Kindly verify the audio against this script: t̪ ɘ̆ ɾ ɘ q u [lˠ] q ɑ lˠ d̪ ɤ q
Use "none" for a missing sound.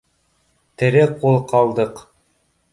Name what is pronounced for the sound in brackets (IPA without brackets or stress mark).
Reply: lˠ